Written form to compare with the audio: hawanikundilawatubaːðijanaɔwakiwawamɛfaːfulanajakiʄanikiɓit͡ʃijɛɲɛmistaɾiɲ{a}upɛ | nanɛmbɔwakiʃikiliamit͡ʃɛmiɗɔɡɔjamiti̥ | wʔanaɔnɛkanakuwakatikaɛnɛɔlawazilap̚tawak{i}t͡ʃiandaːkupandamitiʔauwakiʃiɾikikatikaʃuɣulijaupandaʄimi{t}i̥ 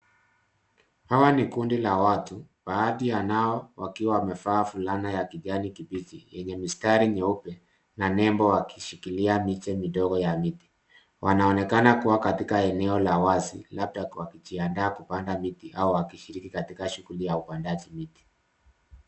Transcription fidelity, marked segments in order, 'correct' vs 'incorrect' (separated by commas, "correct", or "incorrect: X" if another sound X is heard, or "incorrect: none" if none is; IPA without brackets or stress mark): incorrect: ɛ, correct, correct